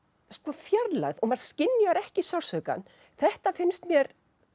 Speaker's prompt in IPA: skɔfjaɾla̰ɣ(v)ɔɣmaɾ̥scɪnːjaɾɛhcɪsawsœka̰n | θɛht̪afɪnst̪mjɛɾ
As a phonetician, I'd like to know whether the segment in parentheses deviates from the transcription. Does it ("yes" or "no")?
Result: yes